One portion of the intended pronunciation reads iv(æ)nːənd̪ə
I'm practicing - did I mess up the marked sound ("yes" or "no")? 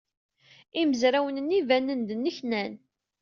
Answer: no